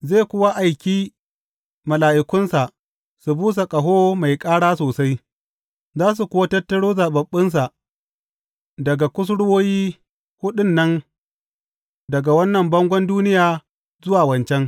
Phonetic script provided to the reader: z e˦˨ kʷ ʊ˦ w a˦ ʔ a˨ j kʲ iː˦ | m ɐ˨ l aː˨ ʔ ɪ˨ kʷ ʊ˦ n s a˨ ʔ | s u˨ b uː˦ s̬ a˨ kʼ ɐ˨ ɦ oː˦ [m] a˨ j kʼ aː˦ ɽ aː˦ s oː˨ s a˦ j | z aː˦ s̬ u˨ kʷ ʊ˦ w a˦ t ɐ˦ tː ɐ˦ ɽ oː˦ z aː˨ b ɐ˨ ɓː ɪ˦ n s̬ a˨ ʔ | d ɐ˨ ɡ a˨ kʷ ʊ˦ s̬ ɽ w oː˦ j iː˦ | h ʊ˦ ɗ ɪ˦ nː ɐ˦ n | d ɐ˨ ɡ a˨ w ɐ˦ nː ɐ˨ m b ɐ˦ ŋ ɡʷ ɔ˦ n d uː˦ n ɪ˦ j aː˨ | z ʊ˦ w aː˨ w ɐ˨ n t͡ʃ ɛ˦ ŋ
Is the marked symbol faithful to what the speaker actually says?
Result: yes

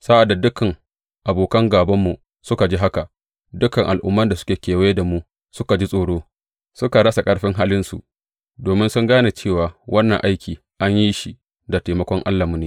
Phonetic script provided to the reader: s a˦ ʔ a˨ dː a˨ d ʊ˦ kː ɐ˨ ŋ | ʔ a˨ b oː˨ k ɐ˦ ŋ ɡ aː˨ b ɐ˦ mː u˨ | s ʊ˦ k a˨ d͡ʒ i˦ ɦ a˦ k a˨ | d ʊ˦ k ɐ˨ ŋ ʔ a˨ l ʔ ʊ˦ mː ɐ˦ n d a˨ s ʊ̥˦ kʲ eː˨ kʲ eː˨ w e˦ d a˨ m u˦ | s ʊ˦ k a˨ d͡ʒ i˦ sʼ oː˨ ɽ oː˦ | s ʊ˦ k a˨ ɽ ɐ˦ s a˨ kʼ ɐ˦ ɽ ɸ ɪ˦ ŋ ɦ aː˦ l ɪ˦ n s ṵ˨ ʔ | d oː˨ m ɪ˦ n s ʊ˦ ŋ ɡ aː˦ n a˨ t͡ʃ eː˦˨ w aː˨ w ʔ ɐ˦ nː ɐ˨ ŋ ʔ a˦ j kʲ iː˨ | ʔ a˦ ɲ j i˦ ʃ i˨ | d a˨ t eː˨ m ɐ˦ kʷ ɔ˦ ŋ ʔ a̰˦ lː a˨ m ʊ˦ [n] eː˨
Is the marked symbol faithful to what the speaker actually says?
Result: yes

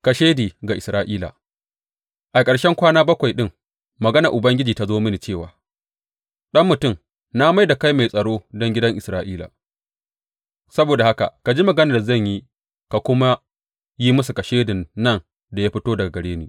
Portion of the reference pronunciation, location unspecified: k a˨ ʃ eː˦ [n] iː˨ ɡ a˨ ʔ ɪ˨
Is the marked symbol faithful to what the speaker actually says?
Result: no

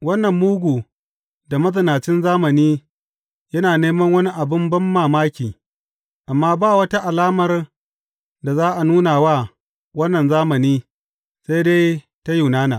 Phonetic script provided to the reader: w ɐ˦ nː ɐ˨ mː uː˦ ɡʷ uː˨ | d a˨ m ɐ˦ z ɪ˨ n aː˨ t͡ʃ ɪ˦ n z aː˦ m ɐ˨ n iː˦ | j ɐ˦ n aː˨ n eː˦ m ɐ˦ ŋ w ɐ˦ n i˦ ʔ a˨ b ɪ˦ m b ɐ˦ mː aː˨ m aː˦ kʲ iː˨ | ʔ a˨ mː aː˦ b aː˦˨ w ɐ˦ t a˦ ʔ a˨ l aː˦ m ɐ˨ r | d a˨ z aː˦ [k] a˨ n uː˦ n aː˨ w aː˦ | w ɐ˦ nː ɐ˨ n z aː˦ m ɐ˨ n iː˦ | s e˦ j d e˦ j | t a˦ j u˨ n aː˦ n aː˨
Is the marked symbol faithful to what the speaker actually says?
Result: no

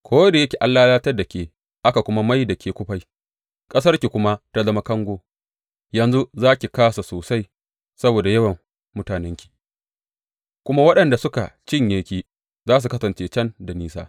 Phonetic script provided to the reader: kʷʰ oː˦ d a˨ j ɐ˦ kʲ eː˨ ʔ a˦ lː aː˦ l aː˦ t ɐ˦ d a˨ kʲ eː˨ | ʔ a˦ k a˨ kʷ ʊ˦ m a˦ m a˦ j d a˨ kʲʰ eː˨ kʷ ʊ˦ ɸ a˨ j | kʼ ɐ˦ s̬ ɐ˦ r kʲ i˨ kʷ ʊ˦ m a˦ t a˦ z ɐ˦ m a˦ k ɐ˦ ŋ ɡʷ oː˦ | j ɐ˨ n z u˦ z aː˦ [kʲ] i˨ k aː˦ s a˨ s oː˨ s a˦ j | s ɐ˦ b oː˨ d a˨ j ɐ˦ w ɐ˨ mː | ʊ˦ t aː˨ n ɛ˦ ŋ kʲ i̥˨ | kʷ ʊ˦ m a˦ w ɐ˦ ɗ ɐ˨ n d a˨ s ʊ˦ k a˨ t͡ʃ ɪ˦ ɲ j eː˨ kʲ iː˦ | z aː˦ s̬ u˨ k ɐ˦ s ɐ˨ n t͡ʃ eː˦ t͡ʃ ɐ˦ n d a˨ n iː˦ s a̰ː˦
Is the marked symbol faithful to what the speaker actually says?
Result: yes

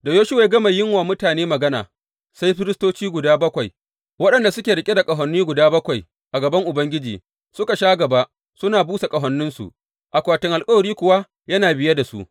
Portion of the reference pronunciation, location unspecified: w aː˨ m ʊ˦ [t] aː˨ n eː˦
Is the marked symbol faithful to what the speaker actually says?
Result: yes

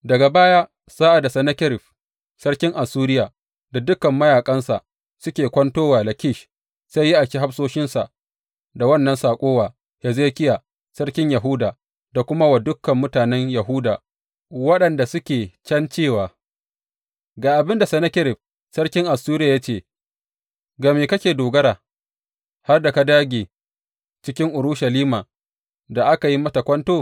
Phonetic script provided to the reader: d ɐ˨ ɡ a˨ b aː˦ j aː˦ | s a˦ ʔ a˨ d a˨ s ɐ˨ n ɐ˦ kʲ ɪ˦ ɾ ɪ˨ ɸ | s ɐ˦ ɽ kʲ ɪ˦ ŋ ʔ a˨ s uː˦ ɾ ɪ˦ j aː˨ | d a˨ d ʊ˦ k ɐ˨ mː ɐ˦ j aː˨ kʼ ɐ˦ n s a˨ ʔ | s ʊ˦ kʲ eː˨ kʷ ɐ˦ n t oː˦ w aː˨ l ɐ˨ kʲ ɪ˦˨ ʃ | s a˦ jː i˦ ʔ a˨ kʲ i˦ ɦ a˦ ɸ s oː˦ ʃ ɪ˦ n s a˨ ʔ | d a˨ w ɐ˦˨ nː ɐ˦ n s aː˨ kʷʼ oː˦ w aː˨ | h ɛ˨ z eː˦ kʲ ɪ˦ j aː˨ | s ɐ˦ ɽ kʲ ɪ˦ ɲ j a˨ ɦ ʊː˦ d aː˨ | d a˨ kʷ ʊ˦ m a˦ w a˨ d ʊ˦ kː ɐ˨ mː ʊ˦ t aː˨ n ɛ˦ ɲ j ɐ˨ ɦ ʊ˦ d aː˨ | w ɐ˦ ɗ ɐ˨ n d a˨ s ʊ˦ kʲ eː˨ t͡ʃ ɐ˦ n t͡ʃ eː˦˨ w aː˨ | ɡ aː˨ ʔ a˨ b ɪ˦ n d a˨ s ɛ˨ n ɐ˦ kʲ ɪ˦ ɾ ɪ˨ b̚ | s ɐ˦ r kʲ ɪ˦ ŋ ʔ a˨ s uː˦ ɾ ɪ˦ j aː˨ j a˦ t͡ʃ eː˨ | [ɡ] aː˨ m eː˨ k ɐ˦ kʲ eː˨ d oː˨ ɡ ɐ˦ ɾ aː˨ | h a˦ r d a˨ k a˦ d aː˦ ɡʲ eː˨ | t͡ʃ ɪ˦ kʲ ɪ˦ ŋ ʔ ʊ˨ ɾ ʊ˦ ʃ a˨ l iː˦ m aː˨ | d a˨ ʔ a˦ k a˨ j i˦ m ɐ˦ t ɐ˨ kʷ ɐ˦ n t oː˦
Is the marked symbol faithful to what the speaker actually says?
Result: yes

